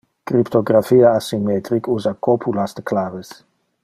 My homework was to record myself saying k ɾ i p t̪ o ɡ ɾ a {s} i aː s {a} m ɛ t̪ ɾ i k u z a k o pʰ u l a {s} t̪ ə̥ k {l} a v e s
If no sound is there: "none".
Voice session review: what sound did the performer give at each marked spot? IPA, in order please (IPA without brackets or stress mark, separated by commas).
f, i, s, l